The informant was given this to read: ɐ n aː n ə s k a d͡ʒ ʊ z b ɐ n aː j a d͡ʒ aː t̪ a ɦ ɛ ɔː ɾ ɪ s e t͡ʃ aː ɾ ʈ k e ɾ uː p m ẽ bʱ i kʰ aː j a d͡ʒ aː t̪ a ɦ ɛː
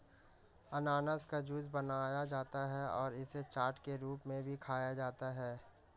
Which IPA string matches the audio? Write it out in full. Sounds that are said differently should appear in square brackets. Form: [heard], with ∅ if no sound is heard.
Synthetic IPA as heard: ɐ n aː n ə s k a d͡ʒ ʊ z b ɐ n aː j a d͡ʒ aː t̪ a ɦ ɛ ɔː ɾ ɪ s e t͡ʃ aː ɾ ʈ k e ɾ uː p m ẽ bʱ i kʰ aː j a d͡ʒ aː t̪ a ɦ ɛː